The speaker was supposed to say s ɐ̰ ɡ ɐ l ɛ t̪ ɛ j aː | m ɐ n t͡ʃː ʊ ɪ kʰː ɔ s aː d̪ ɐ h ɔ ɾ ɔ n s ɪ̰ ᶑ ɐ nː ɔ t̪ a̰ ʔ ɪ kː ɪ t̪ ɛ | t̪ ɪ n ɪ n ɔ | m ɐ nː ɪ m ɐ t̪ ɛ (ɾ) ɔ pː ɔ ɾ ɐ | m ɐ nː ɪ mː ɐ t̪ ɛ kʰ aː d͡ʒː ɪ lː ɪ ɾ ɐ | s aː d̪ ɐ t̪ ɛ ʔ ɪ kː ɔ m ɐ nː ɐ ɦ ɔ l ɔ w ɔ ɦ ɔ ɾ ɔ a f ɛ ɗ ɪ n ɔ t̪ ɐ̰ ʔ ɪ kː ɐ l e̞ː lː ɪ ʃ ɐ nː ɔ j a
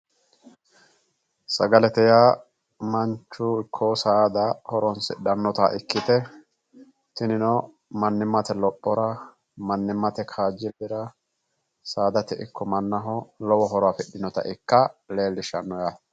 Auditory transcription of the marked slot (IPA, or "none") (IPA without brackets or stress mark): l